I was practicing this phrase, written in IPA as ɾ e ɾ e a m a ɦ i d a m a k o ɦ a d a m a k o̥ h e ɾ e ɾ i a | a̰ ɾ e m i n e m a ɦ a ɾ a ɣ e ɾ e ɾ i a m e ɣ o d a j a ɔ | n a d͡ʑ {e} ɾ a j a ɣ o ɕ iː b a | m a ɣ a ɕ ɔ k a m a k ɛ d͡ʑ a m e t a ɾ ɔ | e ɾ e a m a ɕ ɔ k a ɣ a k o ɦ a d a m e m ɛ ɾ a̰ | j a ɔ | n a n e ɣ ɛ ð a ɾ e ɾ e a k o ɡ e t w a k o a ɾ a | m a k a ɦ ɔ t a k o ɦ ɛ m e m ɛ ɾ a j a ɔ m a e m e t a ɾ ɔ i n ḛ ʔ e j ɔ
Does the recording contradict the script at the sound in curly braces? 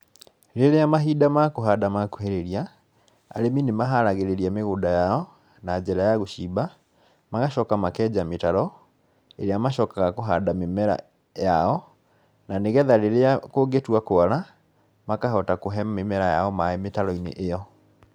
yes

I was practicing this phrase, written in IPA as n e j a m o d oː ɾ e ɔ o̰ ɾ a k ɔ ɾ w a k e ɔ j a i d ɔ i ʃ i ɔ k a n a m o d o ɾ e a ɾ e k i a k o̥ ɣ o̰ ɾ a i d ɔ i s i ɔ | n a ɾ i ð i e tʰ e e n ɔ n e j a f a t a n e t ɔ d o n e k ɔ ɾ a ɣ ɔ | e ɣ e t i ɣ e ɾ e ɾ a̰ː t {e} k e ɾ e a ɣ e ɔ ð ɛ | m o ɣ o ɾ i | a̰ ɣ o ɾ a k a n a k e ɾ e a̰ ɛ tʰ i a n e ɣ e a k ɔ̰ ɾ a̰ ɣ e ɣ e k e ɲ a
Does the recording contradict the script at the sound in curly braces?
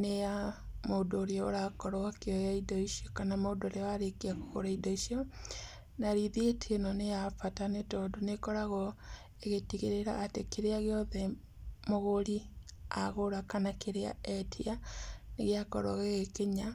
no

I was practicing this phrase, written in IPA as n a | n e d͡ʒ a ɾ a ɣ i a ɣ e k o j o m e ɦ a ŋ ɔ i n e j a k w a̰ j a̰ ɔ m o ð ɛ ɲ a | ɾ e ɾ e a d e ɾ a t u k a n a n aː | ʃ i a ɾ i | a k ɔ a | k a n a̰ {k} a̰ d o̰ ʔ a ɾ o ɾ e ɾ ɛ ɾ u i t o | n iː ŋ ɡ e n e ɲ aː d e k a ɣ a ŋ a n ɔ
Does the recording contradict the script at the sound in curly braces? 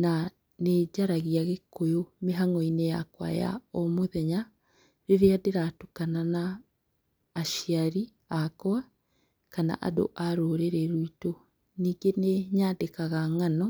yes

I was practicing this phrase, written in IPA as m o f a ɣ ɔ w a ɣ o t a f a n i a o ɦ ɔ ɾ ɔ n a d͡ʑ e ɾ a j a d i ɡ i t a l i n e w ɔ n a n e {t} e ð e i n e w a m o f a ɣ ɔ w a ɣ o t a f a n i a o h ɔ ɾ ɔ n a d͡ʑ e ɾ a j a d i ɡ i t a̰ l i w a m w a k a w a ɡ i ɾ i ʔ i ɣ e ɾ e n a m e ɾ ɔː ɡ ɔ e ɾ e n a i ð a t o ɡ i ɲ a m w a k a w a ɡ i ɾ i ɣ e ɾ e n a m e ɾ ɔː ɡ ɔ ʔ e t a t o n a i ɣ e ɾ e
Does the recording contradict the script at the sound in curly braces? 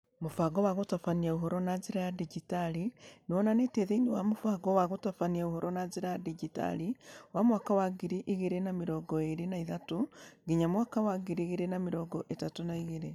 no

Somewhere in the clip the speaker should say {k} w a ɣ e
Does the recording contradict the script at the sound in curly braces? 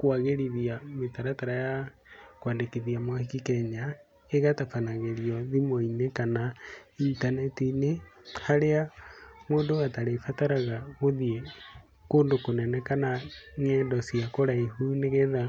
no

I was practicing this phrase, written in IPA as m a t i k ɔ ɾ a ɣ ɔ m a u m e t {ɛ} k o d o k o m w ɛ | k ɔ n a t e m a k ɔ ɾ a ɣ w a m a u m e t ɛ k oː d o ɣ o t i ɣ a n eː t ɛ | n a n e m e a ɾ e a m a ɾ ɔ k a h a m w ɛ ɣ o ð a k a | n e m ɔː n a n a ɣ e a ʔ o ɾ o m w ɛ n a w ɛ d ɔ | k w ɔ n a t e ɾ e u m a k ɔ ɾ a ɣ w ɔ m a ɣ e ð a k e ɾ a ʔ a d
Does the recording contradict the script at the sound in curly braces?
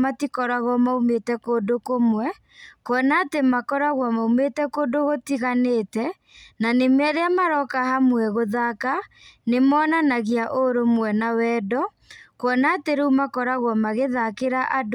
no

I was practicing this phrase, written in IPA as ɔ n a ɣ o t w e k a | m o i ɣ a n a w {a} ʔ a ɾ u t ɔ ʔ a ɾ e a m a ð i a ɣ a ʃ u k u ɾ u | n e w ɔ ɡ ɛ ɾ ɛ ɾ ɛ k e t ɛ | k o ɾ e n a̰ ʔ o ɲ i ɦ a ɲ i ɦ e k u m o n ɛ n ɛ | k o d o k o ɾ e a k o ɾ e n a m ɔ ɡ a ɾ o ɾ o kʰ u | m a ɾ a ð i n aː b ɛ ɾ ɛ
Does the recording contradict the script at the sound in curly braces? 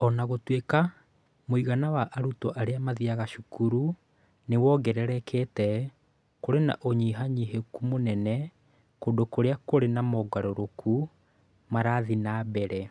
no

